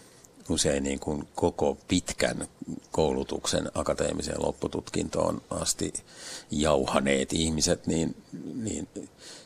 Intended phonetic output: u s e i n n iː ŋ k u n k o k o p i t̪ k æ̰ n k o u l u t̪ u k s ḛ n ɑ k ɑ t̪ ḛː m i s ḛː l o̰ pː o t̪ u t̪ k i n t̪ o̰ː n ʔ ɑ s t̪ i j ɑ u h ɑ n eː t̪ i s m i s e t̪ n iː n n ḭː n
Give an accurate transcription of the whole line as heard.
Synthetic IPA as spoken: u s e i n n iː ŋ k u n k o k o p i t̪ k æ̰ n k o u l u t̪ u k s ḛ n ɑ k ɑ t̪ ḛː m i s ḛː l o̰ pː u t̪ u t̪ k i n t̪ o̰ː n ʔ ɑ s t̪ i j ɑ u h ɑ n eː t̪ i h m i s e t̪ n iː n n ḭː n